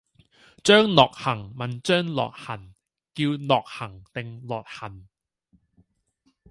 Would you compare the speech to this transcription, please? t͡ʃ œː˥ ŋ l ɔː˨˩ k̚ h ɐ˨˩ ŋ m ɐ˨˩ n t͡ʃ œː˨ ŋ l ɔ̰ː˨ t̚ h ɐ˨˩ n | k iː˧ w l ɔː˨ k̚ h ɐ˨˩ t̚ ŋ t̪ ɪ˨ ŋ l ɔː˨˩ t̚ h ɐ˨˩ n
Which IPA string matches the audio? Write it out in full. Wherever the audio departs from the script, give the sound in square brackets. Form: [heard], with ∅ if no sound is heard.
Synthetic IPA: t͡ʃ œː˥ ŋ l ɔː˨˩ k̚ h ɐ˨˩ ŋ m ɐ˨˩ n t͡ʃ [œː˥] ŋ l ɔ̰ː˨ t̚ h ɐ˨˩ n | k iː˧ w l ɔː˨ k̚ h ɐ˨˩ [∅] ŋ t̪ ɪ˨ ŋ l ɔː˨˩ t̚ h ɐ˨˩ n